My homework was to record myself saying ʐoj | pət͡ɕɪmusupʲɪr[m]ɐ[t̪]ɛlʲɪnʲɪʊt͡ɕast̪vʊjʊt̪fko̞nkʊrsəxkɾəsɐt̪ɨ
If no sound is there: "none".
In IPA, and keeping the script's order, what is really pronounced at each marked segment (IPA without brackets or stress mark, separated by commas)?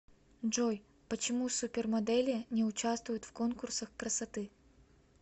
m, d̪